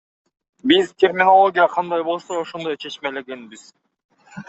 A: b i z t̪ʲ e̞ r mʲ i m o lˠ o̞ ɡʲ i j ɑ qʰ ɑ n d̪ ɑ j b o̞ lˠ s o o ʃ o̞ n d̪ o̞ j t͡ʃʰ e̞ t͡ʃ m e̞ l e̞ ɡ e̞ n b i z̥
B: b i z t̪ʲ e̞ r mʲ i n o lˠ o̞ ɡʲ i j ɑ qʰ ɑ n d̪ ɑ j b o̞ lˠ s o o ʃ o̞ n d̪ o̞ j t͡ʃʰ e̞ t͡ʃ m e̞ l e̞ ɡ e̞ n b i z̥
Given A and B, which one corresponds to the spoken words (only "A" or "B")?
B